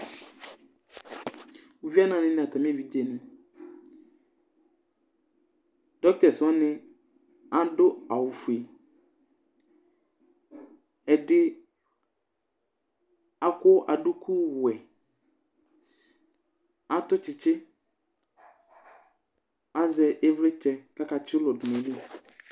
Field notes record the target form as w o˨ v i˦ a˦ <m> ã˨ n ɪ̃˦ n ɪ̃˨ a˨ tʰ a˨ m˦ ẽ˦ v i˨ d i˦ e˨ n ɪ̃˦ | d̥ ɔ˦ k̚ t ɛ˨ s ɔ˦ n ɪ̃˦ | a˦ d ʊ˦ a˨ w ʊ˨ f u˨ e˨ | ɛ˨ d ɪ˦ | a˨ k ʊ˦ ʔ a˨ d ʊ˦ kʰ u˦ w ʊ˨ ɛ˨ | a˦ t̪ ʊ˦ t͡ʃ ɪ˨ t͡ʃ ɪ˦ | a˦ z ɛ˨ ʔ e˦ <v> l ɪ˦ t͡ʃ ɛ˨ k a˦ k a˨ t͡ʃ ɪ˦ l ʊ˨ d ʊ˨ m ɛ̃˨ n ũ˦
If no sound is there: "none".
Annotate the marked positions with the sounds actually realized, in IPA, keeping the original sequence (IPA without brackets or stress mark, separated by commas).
n, v